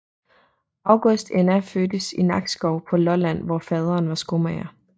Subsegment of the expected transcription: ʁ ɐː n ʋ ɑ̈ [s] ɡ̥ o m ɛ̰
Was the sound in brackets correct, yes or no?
yes